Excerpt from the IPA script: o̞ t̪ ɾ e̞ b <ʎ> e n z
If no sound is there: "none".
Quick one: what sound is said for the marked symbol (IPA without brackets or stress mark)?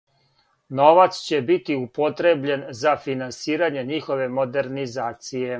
ʎ